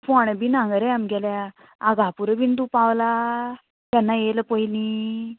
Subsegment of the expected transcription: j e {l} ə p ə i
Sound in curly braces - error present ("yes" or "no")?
no